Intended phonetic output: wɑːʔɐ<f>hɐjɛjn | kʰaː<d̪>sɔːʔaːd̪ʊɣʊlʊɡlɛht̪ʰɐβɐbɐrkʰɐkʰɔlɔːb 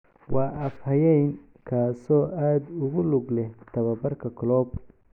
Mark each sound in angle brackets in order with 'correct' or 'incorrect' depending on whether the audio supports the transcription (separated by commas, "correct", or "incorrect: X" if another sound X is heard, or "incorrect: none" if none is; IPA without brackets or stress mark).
correct, incorrect: none